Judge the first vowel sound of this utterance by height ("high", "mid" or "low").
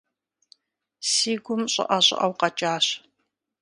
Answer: high